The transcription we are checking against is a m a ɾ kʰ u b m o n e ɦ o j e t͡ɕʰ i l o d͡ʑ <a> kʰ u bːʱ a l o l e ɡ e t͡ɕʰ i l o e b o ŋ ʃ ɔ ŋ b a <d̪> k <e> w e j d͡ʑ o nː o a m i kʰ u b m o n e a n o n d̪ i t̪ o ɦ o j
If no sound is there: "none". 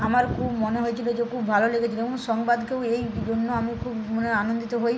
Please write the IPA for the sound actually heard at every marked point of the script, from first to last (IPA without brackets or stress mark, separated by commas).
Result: e, d̪, e